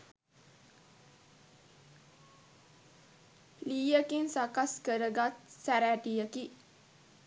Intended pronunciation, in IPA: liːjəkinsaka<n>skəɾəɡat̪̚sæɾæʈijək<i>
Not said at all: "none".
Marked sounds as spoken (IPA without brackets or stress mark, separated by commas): none, i